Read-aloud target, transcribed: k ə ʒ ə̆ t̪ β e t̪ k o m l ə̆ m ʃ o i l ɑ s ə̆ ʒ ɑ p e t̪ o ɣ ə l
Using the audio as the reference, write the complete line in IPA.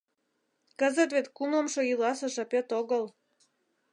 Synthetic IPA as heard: k ə z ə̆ t̪ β e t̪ k u m l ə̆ m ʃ o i l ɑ s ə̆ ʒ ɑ p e t̪ o ɣ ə l